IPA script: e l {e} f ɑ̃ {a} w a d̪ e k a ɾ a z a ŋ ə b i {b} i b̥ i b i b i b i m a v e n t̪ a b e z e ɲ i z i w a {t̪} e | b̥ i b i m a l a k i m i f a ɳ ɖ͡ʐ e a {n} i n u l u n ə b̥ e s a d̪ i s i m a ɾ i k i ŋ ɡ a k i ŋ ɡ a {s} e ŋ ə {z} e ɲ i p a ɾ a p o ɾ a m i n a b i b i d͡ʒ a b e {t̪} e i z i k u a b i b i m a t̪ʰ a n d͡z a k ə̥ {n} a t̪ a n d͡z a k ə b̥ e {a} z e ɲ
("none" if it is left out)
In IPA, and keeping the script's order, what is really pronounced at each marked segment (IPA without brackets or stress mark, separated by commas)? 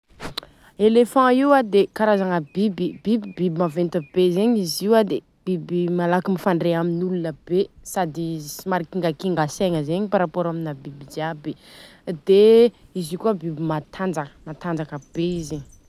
e, i, b, d̪, m, s, z, d̪, m, i